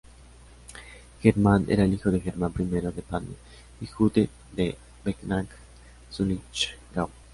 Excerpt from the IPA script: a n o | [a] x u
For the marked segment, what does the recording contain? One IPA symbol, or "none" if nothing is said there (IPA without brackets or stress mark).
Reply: i